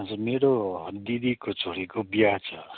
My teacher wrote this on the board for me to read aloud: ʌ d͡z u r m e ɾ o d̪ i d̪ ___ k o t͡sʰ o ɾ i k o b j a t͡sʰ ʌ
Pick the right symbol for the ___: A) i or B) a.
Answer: A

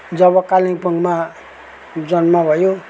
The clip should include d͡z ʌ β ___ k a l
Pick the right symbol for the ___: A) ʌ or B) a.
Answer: A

